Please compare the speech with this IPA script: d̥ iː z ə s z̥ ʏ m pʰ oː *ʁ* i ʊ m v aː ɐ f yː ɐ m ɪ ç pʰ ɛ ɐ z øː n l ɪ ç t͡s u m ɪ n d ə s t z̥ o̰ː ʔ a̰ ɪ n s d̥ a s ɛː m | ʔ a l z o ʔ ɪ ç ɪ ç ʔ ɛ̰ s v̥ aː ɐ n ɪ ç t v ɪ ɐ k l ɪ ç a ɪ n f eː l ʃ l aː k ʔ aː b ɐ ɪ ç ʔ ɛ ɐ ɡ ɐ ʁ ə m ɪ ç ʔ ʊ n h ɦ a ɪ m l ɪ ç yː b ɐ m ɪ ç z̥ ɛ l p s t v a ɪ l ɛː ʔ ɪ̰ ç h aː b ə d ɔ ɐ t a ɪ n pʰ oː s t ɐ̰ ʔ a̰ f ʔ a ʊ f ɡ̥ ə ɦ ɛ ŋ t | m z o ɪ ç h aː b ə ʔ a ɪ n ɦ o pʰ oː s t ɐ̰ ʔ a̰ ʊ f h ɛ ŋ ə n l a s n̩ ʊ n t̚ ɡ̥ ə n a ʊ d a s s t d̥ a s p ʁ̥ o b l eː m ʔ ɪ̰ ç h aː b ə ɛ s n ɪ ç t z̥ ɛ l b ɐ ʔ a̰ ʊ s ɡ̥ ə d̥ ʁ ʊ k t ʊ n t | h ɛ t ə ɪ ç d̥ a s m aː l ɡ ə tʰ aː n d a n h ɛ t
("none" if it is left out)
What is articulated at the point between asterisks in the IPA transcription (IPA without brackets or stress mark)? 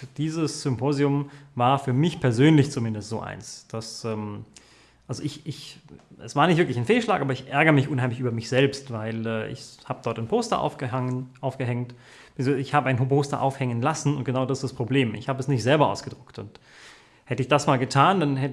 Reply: z